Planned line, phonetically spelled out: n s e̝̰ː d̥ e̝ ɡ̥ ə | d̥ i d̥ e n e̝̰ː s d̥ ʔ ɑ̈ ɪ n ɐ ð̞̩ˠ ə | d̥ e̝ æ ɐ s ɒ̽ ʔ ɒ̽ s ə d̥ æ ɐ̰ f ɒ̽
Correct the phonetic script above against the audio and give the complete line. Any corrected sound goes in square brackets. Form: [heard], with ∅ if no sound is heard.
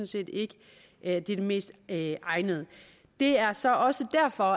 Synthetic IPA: n s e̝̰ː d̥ e̝ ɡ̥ ə | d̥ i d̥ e [m] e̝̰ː s d̥ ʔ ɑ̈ ɪ n [ə] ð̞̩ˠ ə | d̥ e̝ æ ɐ s ɒ̽ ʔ ɒ̽ s ə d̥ æ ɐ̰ f ɒ̽